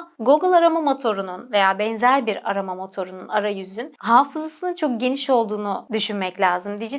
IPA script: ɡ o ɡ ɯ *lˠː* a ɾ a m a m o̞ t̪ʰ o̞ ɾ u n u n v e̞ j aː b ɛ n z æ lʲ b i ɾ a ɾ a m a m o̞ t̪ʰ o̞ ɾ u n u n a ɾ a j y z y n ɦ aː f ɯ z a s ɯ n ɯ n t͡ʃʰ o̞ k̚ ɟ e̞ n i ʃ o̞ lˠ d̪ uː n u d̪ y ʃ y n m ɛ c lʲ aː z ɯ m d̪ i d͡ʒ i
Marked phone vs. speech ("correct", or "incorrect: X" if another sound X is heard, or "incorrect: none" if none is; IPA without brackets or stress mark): incorrect: lˠ